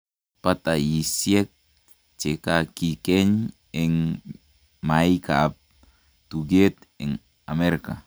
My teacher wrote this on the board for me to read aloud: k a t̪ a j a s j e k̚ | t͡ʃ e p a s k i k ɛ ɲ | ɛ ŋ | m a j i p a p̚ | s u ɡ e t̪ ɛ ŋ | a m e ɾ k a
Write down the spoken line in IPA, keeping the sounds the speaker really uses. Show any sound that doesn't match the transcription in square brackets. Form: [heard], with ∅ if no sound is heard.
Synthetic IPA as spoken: [p] a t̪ a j [i] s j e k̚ | t͡ʃ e [k] a [∅] k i k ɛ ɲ | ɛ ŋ | m a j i [k] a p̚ | [t] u ɡ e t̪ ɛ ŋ | a m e ɾ k a

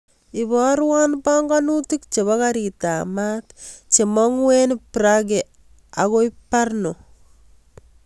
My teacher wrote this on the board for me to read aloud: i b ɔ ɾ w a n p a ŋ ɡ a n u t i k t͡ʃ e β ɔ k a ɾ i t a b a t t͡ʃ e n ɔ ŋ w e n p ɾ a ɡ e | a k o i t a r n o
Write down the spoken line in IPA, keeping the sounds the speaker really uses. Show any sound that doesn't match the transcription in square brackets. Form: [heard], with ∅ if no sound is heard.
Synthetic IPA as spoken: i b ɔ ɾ w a n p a ŋ ɡ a n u t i k t͡ʃ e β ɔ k a ɾ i t a [m] a t t͡ʃ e [m] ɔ ŋ w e n p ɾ a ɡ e | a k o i [p] a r n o

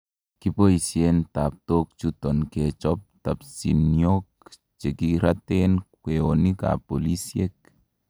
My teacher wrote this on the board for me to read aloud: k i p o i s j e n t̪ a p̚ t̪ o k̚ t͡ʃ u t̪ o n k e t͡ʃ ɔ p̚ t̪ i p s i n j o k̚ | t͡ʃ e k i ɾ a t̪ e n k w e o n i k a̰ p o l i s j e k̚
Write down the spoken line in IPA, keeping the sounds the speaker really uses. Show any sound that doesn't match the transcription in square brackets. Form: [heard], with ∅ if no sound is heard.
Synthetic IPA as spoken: k i p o i s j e n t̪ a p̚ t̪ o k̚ t͡ʃ u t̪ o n k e t͡ʃ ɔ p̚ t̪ [a] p s i n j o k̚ | t͡ʃ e k i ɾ a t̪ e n k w e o n i k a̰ p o l i s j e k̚

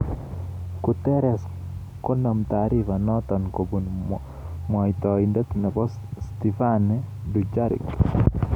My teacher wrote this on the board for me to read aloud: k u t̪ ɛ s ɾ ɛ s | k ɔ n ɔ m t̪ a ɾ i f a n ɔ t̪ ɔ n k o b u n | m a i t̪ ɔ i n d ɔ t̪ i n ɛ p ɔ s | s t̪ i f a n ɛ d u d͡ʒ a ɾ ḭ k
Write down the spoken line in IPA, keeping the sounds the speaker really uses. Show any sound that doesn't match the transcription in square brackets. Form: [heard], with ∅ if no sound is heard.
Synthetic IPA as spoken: k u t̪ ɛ [∅] ɾ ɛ s | k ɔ n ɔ m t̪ a ɾ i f a n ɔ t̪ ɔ n k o b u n | m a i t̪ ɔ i n d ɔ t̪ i n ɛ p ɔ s | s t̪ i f a n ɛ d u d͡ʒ a ɾ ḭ k

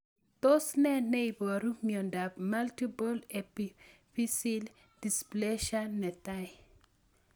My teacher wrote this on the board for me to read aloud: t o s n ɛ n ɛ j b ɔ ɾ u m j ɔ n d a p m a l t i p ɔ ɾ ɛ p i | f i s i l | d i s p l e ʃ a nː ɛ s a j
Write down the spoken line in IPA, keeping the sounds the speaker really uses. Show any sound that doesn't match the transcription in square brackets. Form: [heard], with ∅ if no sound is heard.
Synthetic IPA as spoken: t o s n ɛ n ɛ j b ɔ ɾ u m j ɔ n d a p m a l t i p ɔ [l] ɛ p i | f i s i l | d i s p l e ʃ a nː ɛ [t] a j

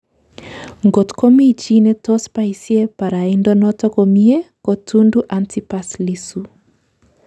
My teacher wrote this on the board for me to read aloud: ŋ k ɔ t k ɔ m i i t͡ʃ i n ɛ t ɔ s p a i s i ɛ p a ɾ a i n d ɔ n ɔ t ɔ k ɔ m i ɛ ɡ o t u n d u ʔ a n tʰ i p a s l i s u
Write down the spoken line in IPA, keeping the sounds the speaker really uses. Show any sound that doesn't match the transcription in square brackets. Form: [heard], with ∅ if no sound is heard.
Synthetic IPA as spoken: ŋ [ɡ] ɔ t k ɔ m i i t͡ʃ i n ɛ t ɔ s p a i s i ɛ p a ɾ a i n d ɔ n ɔ t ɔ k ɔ m i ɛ [k] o t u n d u ʔ a n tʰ i p a s l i s u

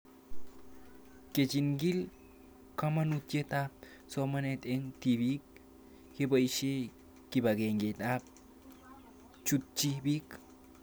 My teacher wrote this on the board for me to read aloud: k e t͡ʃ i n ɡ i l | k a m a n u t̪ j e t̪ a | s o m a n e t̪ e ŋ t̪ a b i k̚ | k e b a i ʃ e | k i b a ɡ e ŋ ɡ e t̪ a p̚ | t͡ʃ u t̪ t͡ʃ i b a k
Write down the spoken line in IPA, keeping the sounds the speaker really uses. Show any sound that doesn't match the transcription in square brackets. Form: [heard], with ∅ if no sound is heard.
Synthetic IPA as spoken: k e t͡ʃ i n ɡ i l | k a m a n u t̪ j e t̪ a | s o m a n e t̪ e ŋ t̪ [i] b i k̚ | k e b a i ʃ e | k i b a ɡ e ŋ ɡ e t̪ a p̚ | t͡ʃ u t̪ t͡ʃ i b [i] k

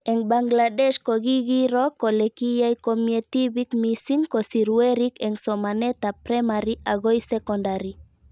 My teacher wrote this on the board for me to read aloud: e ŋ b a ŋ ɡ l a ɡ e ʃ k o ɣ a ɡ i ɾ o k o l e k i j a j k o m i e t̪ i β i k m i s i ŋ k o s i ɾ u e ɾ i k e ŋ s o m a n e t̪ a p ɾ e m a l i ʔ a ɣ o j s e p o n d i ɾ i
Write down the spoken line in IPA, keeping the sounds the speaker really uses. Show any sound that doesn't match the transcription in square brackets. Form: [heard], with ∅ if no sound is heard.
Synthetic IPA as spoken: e ŋ b a ŋ ɡ l a [d] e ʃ k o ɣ [i] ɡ i ɾ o k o l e k i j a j k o m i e t̪ i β i k m i s i ŋ k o s i ɾ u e ɾ i k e ŋ s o m a n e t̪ a p ɾ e m a [ɾ] i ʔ a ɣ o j s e [k] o n d [a] ɾ i

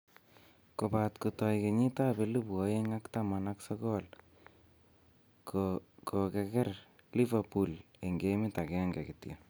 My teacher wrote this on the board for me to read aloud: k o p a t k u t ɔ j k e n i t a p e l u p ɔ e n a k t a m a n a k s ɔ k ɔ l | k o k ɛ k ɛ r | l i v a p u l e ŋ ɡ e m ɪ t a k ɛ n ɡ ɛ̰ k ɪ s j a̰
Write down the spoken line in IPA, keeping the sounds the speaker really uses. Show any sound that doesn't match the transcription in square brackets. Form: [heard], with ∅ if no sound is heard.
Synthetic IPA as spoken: k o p a t k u t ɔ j k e [ɲ] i t a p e l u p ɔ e [ŋ] a k t a m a n a k s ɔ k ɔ l | k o k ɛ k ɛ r | l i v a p u l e ŋ ɡ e m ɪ t a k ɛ [ŋ] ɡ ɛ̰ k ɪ [t] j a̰

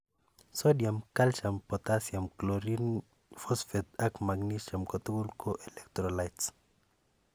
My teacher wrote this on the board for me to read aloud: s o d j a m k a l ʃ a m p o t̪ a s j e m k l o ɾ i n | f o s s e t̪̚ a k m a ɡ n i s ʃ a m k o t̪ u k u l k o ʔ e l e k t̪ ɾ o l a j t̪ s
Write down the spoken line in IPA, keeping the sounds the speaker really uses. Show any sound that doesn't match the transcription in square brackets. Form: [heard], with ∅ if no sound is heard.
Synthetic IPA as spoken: s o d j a m k a l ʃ a m p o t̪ a s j [a] m k l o ɾ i n | f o s [f] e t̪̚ a k m a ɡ n i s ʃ a m k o t̪ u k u l k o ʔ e l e k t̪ ɾ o l a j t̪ s

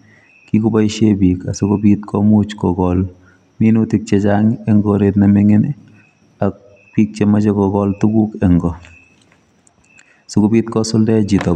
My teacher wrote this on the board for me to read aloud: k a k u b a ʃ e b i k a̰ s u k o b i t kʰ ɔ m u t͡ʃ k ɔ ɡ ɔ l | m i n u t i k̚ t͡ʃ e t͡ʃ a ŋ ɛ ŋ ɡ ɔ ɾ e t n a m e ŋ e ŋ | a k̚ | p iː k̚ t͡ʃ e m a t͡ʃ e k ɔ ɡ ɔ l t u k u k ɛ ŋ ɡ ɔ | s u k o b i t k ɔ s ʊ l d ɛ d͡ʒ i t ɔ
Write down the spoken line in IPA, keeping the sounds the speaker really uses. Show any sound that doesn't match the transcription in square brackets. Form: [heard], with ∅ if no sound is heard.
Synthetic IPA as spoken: k [i] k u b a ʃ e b i k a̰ s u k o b i t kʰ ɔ m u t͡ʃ k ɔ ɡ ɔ l | m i n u t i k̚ t͡ʃ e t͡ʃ a ŋ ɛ ŋ ɡ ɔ ɾ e t n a m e ŋ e [n] | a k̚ | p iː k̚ t͡ʃ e m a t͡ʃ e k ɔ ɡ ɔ l t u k u k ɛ ŋ ɡ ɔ | s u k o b i t k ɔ s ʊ l d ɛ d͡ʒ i t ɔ

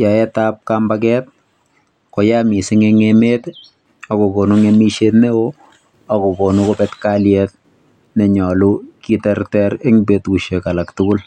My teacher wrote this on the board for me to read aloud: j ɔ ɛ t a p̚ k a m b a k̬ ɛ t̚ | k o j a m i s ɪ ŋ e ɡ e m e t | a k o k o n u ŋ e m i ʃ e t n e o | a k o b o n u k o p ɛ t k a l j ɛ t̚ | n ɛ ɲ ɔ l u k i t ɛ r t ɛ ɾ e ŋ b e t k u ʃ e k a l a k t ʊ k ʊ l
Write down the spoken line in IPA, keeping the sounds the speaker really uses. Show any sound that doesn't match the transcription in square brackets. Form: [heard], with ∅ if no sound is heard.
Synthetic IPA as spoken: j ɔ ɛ t a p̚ k a m b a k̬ ɛ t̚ | k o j a m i s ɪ ŋ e [ŋ] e m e t | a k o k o n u ŋ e m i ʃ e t n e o | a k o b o n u k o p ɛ t k a l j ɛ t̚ | n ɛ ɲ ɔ l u k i t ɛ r t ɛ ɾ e ŋ b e t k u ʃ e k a l a k t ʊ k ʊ l

